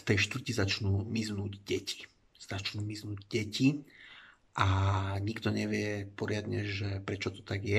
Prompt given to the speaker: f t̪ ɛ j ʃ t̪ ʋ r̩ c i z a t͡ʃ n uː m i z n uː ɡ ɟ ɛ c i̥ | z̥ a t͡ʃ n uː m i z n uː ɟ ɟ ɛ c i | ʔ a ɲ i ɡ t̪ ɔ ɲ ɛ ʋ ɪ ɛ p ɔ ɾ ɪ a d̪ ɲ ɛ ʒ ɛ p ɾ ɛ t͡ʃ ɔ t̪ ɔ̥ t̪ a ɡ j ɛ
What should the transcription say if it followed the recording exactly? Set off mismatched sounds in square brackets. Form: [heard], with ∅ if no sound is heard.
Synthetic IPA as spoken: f t̪ ɛ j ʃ t̪ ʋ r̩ c i z a t͡ʃ n uː m i z n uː [ɟ] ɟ ɛ c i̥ | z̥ a t͡ʃ n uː m i z n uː ɟ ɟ ɛ c i | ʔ a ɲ i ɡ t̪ ɔ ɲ ɛ ʋ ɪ ɛ p ɔ ɾ ɪ a d̪ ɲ ɛ ʒ ɛ p ɾ ɛ t͡ʃ ɔ t̪ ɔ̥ t̪ a ɡ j ɛ